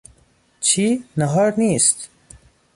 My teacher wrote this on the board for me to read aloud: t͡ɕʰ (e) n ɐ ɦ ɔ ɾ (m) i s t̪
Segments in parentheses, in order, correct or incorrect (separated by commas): incorrect, incorrect